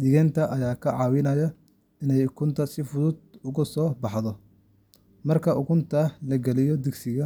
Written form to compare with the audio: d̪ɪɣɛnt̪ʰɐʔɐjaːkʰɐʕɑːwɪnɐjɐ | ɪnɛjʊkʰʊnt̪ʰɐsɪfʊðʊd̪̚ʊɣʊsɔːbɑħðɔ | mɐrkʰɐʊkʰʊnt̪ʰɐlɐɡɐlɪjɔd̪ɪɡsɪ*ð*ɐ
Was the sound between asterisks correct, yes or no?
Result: no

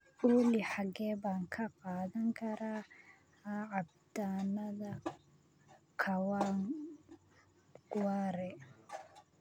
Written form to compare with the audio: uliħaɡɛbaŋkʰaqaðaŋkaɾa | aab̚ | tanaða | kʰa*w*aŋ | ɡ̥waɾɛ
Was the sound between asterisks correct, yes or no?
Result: yes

